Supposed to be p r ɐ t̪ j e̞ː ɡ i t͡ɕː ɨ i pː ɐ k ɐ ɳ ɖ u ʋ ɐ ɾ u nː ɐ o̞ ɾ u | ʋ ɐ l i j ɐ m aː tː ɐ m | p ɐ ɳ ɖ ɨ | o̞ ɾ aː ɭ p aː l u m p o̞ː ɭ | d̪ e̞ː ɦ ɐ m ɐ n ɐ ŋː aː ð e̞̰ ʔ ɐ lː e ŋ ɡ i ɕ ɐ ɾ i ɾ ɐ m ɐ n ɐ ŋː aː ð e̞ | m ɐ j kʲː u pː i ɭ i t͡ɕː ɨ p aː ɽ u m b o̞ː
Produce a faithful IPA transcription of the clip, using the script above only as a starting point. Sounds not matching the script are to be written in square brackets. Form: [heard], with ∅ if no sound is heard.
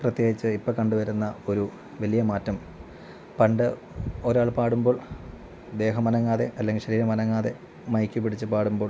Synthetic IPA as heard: p r ɐ t̪ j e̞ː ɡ i t͡ɕː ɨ i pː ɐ k ɐ ɳ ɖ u ʋ ɐ ɾ u nː ɐ o̞ ɾ u | ʋ ɐ l i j ɐ m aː tː ɐ m | p ɐ ɳ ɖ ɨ | o̞ ɾ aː ɭ p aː [ɽ] u m [b] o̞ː ɭ | d̪ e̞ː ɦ ɐ m ɐ n ɐ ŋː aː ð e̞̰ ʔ ɐ lː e ŋ ɡ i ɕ ɐ ɾ [iː] ɾ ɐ m ɐ n ɐ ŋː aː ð e̞ | m ɐ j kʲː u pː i [ɽ] i t͡ɕː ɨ p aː ɽ u m b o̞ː